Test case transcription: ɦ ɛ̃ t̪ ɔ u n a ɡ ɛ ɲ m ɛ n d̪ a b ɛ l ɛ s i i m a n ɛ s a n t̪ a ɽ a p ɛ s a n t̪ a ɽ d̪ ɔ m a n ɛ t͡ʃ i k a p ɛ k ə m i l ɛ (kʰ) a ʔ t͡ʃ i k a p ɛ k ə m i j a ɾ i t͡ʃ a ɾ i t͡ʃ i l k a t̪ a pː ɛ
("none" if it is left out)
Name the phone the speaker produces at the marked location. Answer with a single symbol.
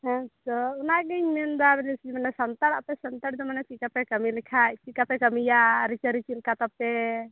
kʰ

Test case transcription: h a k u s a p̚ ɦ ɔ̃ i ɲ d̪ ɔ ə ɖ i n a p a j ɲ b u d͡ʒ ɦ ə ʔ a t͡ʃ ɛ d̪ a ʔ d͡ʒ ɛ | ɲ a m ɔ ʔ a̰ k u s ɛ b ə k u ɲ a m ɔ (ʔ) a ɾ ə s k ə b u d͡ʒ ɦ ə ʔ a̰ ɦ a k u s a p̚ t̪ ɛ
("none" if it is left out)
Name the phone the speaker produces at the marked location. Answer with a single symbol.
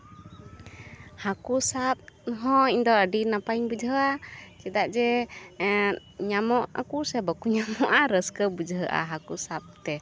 ʔ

